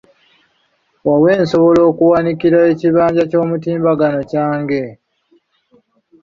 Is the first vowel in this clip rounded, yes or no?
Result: no